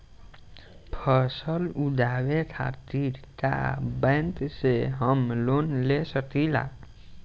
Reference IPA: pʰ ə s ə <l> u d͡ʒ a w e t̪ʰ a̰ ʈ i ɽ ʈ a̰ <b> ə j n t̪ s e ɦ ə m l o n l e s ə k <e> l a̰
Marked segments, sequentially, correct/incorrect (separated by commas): correct, correct, incorrect